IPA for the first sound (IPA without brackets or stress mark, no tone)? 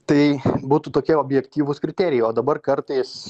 t̪